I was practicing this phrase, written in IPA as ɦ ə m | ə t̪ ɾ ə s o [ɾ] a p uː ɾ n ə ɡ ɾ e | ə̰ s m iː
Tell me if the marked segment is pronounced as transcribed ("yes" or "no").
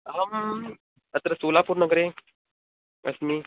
no